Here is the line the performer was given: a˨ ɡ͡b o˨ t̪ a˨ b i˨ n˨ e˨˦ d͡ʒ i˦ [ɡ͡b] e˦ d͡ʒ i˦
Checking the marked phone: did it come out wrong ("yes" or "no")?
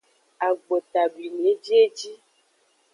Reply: yes